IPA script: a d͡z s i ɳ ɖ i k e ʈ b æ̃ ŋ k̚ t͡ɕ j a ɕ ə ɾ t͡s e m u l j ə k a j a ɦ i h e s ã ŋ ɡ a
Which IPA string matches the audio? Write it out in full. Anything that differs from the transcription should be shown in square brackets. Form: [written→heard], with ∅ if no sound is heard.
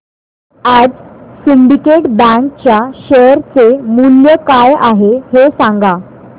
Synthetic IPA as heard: a d͡z s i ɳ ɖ i k e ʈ b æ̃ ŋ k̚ t͡ɕ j a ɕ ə ɾ t͡s e m u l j ə k a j a ɦ [i→e] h e s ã ŋ ɡ a

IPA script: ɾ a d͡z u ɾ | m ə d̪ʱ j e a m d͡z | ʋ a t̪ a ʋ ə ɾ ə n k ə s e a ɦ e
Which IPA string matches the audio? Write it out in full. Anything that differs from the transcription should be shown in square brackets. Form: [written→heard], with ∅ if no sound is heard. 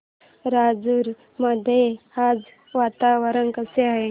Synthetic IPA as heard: ɾ a d͡z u ɾ | m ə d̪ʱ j e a [m→∅] d͡z | ʋ a t̪ a ʋ ə ɾ ə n k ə s e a ɦ e

